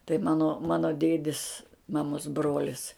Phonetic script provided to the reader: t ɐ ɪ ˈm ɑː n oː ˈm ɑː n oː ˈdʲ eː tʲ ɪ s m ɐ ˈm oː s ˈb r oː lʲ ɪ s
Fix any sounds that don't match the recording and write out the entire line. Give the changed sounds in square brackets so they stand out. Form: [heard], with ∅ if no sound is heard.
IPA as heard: t ɐ ɪ ˈm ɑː n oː ˈm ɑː n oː ˈdʲ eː [dʲ] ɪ s m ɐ ˈm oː s ˈb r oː lʲ ɪ s